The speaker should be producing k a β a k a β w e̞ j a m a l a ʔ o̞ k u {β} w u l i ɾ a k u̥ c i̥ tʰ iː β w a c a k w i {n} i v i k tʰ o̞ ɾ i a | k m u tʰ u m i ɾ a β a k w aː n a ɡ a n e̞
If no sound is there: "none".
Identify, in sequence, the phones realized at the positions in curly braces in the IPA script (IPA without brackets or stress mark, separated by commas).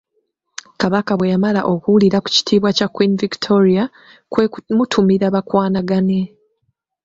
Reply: none, n